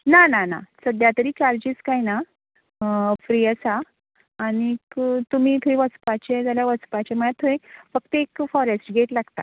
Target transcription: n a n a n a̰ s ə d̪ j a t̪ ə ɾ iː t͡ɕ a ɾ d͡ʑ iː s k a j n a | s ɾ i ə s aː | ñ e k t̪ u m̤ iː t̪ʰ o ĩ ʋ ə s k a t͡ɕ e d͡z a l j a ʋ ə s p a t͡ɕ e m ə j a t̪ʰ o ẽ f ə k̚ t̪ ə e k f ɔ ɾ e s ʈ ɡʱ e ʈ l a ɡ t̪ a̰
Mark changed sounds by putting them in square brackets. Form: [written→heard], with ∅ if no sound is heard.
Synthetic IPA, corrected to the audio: n a n a n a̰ s ə d̪ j a t̪ ə ɾ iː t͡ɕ a ɾ d͡ʑ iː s k a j n a | [s→f] ɾ i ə s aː | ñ [e→i] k t̪ u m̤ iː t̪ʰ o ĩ ʋ ə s [k→p] a t͡ɕ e d͡z a l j a ʋ ə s p a t͡ɕ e m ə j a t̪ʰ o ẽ f ə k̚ t̪ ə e k f ɔ ɾ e s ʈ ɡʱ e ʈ l a ɡ t̪ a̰